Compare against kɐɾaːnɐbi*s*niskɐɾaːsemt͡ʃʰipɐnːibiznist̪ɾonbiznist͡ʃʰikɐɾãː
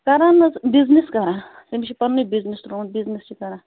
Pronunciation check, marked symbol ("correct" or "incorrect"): incorrect